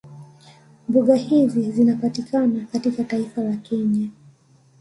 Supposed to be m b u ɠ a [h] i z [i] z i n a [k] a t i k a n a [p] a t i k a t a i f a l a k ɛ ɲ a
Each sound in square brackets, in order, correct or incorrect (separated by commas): correct, correct, incorrect, incorrect